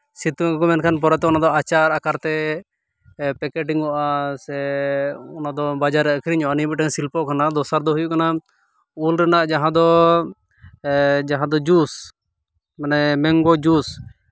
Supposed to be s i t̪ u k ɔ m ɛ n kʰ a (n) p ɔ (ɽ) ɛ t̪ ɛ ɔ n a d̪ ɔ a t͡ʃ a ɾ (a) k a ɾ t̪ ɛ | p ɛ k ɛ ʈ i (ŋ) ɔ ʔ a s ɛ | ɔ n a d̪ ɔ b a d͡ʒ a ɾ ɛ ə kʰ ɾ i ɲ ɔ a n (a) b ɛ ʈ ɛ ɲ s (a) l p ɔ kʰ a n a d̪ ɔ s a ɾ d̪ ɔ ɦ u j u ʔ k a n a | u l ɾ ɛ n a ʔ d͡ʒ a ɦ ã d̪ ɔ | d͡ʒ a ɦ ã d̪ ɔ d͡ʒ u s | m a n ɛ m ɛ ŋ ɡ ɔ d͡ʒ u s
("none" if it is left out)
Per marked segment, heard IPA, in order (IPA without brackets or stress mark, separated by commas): n, ɾ, a, ŋ, i, i